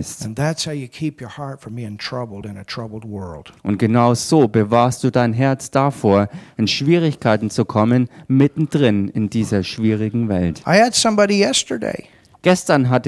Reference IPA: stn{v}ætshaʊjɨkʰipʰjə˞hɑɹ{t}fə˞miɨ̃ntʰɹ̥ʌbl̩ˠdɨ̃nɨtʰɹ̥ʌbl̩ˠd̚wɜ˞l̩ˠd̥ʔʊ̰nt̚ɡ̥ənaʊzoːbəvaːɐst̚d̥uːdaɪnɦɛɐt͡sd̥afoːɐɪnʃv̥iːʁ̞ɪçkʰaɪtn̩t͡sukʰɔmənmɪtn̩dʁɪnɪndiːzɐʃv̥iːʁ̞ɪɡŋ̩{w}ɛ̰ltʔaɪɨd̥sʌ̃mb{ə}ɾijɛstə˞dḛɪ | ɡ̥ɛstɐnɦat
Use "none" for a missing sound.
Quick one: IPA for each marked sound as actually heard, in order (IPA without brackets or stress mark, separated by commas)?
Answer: ð, t, v, ɑ